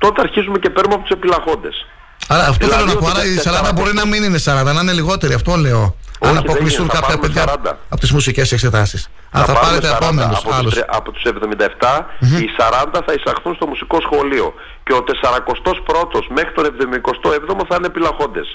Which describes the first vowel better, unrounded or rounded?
rounded